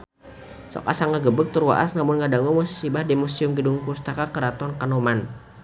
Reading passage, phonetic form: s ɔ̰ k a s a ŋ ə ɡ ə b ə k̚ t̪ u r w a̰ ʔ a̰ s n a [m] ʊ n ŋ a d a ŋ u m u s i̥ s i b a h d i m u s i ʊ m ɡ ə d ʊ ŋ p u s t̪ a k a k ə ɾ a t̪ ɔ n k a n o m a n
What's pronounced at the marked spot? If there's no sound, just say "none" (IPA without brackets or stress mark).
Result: m